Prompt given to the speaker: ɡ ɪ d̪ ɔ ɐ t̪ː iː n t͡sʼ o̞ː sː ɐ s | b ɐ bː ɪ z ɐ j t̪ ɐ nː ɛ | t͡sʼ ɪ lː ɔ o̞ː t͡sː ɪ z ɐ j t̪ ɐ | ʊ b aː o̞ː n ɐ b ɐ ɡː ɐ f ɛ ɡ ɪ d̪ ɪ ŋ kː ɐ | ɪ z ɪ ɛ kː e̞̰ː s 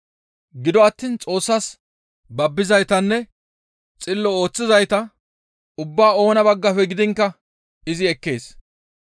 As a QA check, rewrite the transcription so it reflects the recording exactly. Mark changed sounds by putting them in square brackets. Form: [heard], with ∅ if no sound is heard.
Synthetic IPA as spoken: ɡ ɪ d̪ ɔ ɐ t̪ː iː n t͡sʼ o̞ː sː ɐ s | b ɐ bː ɪ z ɐ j t̪ ɐ nː ɛ | t͡sʼ ɪ lː ɔ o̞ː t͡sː ɪ z ɐ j t̪ ɐ | ʊ [bː] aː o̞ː n ɐ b ɐ ɡː ɐ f ɛ ɡ ɪ d̪ ɪ ŋ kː ɐ | ɪ z ɪ ɛ kː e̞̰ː s